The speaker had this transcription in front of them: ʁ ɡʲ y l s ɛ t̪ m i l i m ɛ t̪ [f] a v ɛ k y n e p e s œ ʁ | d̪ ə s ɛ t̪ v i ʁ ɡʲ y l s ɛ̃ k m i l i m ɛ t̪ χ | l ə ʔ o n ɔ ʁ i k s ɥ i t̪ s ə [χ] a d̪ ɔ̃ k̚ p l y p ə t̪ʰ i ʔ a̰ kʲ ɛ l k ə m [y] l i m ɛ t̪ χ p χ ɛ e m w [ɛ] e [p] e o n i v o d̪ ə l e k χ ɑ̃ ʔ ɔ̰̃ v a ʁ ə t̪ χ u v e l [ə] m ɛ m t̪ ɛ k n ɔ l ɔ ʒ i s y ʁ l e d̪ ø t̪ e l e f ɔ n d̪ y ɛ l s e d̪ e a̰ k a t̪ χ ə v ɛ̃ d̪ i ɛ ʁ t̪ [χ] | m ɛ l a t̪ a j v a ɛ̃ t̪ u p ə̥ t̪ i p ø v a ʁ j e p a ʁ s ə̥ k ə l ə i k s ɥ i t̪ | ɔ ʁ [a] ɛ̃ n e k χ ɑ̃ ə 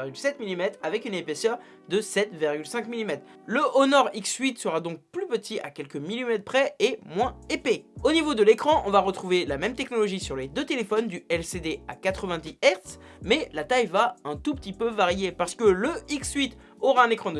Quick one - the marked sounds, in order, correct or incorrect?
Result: incorrect: χ, incorrect: ʁ, incorrect: i, incorrect: ɛ̃, correct, incorrect: a, incorrect: s, correct

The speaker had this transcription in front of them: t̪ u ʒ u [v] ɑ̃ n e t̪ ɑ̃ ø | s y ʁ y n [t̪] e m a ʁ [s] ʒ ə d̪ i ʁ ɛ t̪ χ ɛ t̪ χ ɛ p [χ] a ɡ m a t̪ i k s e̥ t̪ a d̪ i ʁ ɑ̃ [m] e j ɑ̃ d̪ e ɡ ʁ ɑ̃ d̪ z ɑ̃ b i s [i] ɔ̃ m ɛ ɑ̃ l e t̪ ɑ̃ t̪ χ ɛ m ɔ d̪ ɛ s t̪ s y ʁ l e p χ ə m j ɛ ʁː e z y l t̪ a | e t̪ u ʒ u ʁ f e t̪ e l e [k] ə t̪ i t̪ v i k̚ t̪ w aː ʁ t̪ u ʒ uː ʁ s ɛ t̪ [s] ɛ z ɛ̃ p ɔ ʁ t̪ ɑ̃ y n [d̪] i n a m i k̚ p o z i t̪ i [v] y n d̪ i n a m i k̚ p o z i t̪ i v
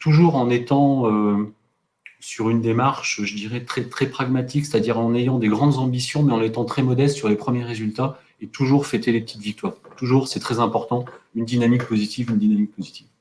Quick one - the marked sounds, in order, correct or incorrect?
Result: incorrect: ʁ, incorrect: d̪, incorrect: ʃ, correct, incorrect: n, incorrect: j, incorrect: p, incorrect: χ, correct, correct

